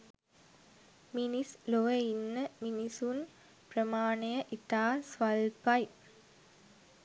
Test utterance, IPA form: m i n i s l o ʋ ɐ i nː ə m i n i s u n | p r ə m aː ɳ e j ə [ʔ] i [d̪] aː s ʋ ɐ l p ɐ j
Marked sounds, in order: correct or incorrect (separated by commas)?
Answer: correct, incorrect